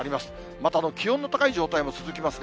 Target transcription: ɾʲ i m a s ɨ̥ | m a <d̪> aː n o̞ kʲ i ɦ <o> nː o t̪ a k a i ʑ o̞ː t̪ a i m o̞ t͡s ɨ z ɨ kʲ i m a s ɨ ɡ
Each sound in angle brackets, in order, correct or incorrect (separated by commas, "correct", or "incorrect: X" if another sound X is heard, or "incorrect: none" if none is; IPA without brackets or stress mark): incorrect: t̪, incorrect: õ